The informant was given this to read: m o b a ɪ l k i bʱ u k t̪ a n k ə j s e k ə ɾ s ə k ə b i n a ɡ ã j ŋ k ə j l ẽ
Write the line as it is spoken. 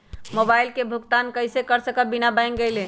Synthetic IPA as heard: m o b a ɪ l k e bʱ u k t̪ a n k ə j s e k ə ɾ s ə k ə b i n a b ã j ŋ ɡ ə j l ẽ